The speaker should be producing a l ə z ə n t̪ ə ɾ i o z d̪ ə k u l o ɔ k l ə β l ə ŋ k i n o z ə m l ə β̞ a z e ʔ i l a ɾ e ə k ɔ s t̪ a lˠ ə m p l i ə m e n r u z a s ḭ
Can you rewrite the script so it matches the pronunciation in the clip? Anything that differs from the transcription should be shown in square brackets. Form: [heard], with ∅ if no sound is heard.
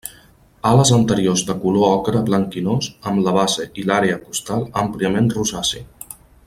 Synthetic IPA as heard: a l ə z ə n t̪ ə ɾ i o z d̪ ə k u l o ɔ k [ɾ] ə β l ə ŋ k i n o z ə m l ə β̞ a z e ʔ i l a ɾ e ə k [u] s t̪ a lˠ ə m p l i ə m e n r u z a s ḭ